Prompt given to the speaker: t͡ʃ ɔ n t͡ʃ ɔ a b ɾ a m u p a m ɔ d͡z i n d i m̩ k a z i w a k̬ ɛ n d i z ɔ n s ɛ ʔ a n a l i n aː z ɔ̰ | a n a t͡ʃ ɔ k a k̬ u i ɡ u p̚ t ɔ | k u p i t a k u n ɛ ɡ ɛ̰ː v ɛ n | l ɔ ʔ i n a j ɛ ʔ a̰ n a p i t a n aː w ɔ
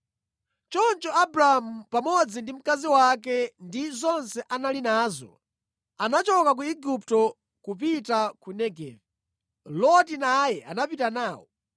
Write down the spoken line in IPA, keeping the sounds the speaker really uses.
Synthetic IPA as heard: t͡ʃ ɔ n t͡ʃ ɔ a b ɾ a m u p a m ɔ d͡z i n d i m̩ k a z i w a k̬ ɛ n d i z ɔ n s ɛ ʔ a n a l i n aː z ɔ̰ | a n a t͡ʃ ɔ k a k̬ u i ɡ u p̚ t ɔ | k u p i t a k u n ɛ ɡ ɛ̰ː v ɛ | l ɔ t i n a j ɛ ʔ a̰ n a p i t a n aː w ɔ